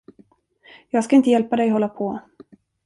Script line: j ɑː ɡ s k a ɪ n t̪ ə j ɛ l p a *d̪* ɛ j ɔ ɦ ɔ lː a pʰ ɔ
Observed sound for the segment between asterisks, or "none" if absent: d̪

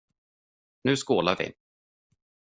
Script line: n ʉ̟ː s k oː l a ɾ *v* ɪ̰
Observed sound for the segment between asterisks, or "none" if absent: v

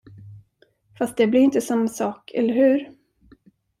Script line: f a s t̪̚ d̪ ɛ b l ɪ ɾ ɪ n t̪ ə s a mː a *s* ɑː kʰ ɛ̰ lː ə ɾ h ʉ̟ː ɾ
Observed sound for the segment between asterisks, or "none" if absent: s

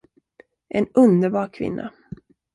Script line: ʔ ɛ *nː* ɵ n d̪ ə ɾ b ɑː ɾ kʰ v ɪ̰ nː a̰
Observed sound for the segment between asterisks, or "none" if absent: n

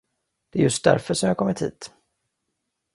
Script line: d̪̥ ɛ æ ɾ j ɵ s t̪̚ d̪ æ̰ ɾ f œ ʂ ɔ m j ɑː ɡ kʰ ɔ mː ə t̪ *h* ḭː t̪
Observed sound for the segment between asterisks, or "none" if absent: h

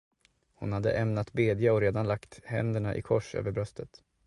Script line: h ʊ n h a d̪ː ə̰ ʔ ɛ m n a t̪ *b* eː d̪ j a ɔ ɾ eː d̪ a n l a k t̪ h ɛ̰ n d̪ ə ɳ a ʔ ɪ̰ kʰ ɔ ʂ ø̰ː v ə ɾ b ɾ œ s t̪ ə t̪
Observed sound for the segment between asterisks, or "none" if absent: b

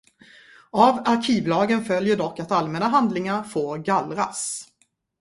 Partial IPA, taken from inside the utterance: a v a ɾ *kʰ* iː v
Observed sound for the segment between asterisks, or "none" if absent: kʰ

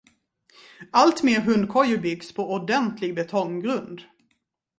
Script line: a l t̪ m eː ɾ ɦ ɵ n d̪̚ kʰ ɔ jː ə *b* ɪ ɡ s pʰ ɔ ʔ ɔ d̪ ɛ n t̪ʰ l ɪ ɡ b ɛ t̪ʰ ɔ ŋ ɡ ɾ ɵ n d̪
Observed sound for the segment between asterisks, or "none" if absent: b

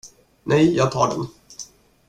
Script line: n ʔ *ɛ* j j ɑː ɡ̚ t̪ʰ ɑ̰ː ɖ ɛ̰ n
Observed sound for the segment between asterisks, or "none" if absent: ɛ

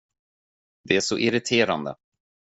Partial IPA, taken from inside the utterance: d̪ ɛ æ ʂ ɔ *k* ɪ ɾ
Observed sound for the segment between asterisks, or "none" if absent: ʔ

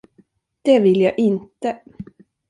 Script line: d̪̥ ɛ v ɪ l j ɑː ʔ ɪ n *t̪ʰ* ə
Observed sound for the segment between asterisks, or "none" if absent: t̪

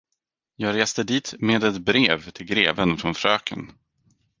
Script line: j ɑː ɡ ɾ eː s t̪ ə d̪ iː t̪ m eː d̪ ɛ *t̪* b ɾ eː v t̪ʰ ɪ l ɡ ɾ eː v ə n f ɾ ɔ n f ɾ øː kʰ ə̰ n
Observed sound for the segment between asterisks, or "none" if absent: t̪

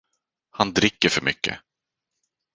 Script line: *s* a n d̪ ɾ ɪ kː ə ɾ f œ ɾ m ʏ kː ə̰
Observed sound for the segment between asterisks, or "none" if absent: h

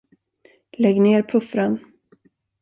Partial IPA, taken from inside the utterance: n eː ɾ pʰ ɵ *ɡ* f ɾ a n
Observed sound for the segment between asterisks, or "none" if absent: none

